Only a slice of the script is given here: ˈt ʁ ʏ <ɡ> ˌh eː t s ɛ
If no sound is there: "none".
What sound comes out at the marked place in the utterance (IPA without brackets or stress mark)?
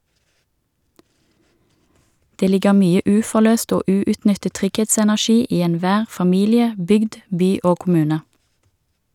ɡ